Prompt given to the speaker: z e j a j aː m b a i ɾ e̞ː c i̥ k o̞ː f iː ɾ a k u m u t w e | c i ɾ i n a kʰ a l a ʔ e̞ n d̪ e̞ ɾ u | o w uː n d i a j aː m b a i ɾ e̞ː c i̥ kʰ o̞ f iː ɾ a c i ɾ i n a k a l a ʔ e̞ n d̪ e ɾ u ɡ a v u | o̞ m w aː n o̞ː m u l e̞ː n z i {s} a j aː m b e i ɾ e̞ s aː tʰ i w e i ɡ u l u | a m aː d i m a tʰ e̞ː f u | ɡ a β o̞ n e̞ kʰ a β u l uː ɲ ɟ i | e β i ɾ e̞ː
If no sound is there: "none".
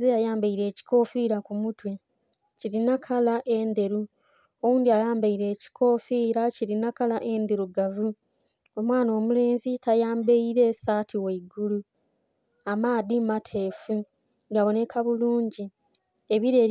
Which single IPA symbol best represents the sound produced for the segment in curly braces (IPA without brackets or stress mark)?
t